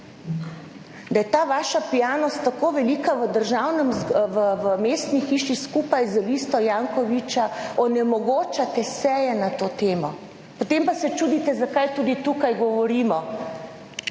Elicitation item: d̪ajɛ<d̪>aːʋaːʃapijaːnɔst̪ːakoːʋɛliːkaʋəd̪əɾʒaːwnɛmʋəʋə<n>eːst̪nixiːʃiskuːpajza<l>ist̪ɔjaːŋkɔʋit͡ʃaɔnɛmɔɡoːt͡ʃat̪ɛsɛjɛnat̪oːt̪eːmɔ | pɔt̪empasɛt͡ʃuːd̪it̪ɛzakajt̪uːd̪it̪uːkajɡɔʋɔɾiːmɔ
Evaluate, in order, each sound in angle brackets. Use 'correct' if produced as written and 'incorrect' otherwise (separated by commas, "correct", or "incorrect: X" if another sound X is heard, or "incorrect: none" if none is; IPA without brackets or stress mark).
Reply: incorrect: t̪, incorrect: m, correct